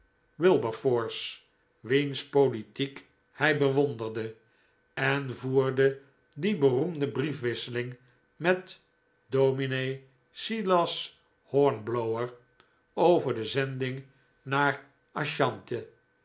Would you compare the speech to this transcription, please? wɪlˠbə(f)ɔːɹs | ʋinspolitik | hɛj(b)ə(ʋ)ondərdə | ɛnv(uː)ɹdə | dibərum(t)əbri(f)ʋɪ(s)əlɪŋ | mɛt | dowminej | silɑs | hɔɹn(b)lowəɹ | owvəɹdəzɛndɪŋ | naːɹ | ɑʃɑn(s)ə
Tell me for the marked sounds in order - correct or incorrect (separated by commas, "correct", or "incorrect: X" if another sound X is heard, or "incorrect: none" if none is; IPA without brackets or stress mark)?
correct, correct, correct, correct, incorrect: d, correct, correct, correct, incorrect: t